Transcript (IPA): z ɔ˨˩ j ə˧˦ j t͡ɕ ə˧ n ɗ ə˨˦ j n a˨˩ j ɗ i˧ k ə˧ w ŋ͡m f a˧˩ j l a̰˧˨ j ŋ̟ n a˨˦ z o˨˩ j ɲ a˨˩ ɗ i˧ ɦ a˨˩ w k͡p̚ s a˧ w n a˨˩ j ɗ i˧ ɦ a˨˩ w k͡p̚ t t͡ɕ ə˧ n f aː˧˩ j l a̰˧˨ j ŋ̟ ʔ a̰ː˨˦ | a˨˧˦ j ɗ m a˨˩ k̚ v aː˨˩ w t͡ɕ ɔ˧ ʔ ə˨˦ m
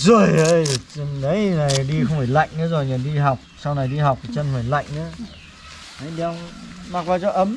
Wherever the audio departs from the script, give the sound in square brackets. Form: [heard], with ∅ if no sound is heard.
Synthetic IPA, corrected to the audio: z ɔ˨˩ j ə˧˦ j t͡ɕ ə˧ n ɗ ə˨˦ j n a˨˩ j ɗ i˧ [x] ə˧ w ŋ͡m f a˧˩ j l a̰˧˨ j ŋ̟ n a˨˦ z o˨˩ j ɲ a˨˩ ɗ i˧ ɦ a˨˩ w k͡p̚ s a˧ w n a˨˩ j ɗ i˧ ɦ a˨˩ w k͡p̚ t t͡ɕ ə˧ n f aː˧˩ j l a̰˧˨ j ŋ̟ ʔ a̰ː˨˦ | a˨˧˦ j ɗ m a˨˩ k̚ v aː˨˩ w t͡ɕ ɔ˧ ʔ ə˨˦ m

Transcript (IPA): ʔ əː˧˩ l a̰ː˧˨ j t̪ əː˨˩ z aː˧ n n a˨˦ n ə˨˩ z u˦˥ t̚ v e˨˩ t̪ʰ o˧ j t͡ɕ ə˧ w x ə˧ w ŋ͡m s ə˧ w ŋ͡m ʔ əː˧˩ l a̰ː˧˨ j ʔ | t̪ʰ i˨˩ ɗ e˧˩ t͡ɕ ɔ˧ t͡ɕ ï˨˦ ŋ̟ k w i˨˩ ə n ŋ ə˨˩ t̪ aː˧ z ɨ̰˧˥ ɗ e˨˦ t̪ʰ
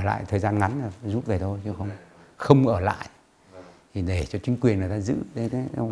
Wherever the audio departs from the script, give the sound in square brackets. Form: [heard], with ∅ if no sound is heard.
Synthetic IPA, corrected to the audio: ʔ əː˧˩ l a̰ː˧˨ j [t̪ʰ] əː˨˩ z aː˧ n [ŋ] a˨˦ n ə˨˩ z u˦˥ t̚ v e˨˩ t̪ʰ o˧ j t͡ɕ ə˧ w x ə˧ w ŋ͡m [x] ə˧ w ŋ͡m ʔ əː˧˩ l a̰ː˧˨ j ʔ | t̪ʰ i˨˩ ɗ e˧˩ t͡ɕ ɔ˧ t͡ɕ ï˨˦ ŋ̟ k w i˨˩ ə n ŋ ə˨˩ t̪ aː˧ z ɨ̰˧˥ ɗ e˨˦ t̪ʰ

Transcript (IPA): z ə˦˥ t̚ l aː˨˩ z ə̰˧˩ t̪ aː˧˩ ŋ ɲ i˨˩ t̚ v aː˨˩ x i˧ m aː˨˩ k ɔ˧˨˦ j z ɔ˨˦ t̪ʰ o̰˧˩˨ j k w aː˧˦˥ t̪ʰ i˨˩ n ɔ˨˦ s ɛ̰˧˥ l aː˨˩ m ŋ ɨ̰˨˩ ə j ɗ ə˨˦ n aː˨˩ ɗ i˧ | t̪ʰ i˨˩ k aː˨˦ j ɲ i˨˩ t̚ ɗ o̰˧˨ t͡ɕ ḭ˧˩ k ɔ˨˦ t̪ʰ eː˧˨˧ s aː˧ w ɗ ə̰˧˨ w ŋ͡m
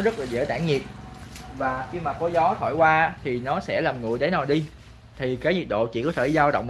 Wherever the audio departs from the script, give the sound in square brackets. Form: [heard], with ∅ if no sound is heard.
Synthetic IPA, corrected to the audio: z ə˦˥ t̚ l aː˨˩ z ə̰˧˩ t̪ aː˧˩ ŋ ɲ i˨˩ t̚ v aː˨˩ x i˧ m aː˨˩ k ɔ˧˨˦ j z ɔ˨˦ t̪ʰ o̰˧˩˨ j k w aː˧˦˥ t̪ʰ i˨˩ n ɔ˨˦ s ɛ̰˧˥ l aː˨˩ m ŋ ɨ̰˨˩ ə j ɗ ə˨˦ n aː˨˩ ɗ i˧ | t̪ʰ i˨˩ k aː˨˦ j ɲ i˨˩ t̚ ɗ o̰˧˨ t͡ɕ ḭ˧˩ k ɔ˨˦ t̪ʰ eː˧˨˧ [z] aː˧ w ɗ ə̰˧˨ w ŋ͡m

